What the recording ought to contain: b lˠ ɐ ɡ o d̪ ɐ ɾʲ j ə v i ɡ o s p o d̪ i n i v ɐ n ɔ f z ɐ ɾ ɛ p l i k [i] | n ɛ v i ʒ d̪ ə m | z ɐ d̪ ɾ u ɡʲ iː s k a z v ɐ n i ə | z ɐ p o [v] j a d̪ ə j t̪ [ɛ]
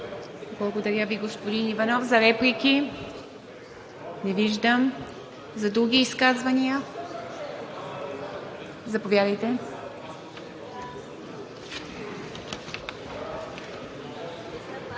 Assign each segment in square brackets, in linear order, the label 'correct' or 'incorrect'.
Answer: correct, correct, correct

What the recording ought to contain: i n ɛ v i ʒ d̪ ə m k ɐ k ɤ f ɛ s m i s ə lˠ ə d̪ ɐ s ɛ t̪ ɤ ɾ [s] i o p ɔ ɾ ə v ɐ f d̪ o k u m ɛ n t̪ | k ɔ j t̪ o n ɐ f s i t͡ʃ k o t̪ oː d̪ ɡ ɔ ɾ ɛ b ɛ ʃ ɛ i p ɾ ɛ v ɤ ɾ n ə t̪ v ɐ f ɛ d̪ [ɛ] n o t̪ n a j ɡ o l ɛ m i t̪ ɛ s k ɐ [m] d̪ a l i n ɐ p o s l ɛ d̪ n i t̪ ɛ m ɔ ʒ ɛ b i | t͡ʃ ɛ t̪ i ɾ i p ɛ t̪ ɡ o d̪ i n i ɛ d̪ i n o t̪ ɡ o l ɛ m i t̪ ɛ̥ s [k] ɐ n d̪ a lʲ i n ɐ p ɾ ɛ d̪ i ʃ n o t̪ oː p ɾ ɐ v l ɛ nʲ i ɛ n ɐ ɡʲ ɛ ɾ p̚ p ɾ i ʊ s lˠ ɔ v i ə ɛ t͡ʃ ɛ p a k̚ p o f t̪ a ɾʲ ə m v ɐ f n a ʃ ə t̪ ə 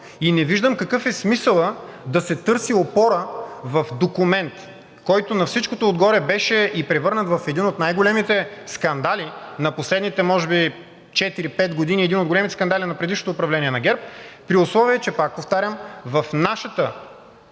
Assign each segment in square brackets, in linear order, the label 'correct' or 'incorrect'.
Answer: correct, incorrect, incorrect, correct

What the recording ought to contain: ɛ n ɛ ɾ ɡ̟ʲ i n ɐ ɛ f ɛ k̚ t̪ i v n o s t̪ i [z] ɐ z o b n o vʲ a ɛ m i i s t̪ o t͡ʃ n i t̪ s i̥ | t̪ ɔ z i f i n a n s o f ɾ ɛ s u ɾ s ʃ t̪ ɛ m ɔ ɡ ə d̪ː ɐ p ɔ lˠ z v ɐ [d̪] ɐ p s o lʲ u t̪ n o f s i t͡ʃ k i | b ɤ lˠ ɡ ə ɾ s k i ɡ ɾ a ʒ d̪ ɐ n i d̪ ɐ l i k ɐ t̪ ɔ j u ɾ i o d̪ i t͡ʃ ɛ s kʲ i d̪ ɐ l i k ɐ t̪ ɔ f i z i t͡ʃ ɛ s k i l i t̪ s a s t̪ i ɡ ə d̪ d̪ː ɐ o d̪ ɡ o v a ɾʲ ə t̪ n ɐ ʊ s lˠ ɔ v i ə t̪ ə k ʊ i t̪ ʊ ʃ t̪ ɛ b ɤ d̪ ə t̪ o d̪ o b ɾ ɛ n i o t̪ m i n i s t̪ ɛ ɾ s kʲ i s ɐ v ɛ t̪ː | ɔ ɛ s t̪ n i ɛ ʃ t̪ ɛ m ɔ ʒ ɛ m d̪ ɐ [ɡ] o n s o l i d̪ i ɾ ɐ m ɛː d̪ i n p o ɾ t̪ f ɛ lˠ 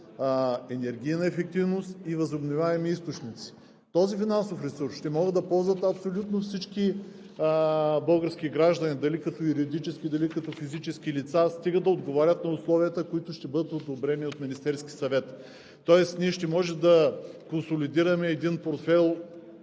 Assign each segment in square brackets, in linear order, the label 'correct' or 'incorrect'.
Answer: incorrect, incorrect, incorrect

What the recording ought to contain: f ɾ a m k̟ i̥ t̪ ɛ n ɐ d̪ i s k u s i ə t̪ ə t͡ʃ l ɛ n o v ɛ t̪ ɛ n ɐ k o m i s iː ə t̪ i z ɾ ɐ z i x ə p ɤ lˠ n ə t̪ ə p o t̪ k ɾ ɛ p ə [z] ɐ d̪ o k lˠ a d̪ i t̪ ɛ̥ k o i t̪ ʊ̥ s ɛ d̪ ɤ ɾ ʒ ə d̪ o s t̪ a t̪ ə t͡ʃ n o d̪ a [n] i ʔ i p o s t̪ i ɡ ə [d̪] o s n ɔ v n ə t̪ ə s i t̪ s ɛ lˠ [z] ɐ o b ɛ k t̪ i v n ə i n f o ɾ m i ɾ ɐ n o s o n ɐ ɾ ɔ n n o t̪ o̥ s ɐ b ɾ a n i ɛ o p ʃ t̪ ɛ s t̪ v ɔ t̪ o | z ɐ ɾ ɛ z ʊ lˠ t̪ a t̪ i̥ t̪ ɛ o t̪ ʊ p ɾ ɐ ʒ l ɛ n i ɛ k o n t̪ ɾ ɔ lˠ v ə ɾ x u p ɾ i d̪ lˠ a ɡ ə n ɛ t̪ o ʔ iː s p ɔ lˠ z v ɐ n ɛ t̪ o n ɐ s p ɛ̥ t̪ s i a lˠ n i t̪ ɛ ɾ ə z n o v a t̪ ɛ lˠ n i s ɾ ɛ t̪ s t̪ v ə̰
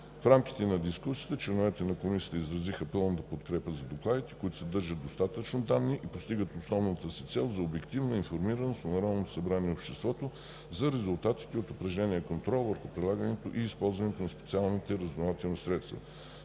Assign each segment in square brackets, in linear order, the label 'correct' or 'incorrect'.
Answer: correct, incorrect, incorrect, correct

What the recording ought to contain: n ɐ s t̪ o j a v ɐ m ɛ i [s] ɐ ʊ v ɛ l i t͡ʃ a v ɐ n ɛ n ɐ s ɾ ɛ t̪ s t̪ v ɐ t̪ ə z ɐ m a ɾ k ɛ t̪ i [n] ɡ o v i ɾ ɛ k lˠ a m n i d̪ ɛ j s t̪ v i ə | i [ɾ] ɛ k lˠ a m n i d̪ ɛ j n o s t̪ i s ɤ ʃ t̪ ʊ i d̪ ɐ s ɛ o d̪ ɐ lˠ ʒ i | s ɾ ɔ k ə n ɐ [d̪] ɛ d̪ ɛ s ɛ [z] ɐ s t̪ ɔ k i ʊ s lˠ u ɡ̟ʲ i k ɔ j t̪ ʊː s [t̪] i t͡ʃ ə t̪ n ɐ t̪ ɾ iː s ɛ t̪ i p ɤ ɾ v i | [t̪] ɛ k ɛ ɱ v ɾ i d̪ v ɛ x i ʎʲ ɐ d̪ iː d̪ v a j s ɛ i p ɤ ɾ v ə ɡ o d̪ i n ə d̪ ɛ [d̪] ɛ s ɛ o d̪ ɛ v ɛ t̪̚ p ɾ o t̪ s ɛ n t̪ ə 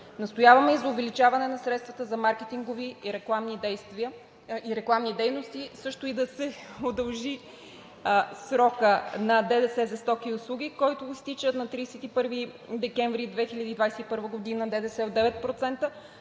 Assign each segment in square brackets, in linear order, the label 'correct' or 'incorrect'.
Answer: incorrect, incorrect, correct, correct, correct, correct, incorrect, correct

